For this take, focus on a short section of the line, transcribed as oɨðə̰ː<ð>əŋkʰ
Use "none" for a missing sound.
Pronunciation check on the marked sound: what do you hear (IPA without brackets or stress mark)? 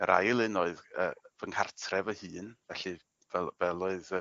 v